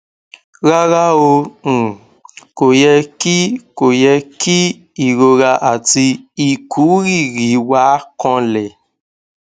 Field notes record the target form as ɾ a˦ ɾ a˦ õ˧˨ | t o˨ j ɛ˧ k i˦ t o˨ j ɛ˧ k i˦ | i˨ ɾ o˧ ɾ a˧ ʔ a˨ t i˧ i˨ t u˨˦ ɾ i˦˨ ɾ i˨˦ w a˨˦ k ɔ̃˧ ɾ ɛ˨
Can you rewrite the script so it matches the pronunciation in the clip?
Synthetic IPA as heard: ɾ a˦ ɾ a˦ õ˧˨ | k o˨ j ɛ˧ k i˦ k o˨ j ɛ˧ k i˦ | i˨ ɾ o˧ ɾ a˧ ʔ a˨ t i˧ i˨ k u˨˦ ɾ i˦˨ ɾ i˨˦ w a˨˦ k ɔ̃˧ l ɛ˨